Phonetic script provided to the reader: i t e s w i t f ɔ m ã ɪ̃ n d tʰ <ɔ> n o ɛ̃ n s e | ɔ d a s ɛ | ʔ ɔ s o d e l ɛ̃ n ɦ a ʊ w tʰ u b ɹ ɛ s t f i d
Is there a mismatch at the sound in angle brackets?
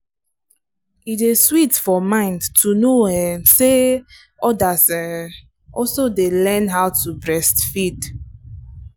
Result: yes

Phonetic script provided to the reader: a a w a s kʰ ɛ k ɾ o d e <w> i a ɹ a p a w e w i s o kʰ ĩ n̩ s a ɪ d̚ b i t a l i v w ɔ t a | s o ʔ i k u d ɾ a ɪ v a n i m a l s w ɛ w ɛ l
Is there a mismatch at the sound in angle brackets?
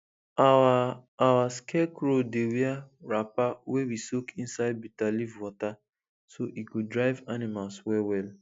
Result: no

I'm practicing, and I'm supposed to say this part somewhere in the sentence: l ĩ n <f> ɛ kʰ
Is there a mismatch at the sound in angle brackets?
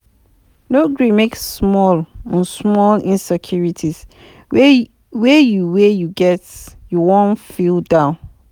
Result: yes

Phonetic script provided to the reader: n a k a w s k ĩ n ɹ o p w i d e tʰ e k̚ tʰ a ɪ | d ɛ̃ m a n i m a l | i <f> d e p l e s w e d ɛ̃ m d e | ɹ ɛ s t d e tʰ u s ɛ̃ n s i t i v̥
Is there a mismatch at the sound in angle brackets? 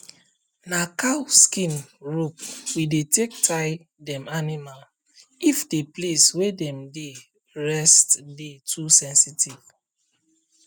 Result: no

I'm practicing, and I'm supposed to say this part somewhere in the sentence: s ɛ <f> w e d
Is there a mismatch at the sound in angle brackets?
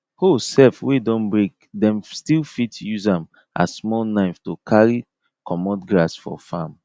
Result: no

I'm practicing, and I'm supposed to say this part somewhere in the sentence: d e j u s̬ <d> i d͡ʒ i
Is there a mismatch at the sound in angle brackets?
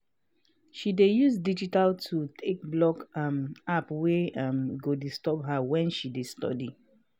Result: no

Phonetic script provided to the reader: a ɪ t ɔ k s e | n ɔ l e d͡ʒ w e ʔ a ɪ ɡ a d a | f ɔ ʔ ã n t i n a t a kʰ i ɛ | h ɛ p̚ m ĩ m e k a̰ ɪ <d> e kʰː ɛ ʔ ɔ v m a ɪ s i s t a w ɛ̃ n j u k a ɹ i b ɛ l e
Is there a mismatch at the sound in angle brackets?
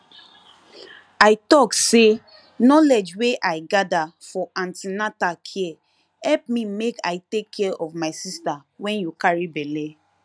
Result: yes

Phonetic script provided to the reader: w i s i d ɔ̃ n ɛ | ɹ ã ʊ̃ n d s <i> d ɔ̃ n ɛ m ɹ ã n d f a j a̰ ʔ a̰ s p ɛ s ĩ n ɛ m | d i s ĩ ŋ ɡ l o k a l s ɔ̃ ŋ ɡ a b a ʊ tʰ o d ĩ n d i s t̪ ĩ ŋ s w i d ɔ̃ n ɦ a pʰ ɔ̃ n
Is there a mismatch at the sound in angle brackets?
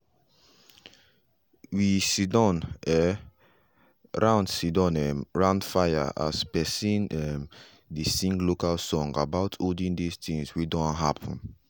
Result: no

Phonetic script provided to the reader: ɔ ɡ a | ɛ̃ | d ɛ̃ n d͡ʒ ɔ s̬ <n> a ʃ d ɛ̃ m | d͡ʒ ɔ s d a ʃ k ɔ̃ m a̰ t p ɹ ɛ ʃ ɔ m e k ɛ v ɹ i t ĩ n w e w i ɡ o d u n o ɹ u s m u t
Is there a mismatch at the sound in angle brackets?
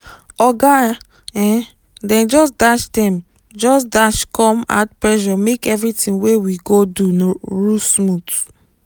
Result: yes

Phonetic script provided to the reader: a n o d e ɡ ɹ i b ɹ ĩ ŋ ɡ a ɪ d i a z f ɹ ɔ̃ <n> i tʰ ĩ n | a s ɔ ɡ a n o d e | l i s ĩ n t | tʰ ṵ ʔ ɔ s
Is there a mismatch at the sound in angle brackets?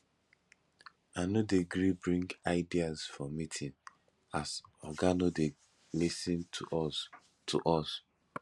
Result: yes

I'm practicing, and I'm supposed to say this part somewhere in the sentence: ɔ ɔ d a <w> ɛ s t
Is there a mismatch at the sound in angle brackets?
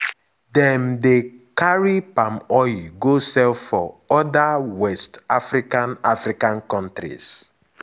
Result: no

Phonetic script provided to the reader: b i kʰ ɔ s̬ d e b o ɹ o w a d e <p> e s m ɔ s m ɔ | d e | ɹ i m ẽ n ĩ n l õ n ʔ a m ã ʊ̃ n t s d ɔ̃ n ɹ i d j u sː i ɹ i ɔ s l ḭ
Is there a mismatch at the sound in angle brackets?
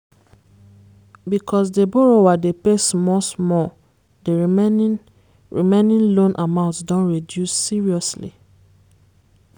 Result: no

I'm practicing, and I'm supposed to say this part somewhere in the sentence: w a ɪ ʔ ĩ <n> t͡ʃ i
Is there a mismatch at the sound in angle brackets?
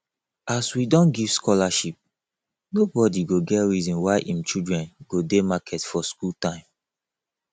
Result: yes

